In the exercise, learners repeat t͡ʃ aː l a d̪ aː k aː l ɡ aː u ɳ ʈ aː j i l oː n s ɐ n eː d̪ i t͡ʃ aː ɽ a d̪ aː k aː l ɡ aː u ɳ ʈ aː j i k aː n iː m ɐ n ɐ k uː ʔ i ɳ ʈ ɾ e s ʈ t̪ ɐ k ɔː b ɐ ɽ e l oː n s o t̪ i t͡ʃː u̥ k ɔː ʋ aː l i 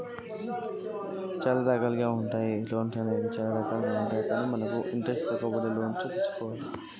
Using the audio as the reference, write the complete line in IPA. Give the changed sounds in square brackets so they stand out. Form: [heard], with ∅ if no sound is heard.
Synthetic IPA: t͡ʃ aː l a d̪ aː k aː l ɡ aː u ɳ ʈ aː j i l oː n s ɐ n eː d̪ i t͡ʃ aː [l] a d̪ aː k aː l ɡ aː u ɳ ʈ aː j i k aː n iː m ɐ n ɐ k [u] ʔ i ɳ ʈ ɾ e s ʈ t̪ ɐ k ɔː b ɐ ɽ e l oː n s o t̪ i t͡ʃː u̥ k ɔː ʋ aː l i